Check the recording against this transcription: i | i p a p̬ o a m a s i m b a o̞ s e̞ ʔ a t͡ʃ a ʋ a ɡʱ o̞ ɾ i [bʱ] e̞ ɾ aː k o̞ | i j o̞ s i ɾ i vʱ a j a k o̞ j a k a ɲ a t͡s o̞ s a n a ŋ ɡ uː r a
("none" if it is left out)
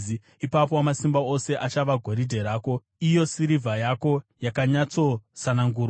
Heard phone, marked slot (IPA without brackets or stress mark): dʱ